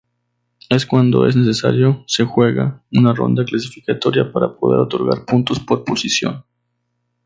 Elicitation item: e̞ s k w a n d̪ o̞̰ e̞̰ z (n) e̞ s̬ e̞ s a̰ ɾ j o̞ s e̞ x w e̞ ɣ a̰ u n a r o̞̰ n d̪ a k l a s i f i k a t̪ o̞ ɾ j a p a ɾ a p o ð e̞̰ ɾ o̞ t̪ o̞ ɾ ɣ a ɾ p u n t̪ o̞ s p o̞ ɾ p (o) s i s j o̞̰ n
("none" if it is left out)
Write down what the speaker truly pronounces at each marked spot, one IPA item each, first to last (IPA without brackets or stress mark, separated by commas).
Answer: n, o